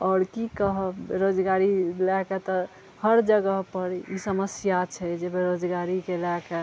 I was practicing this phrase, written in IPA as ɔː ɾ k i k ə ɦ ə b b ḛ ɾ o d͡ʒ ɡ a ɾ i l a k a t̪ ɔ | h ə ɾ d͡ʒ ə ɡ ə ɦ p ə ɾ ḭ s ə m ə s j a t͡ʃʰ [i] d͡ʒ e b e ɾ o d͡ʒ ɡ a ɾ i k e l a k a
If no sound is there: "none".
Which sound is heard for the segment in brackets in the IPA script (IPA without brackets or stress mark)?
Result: ɛ